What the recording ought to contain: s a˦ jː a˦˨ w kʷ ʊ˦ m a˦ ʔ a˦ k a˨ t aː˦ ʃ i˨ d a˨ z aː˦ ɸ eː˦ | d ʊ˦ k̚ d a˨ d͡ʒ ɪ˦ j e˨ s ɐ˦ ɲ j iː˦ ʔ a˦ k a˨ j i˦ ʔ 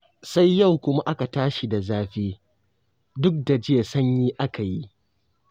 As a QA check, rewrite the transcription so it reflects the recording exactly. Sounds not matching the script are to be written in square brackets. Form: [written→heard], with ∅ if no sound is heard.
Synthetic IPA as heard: s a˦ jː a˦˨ w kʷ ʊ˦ m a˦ ʔ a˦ k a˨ t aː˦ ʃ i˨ d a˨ z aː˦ ɸ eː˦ | d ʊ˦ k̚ d a˨ d͡ʒ ɪ˦ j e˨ s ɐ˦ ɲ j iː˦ ʔ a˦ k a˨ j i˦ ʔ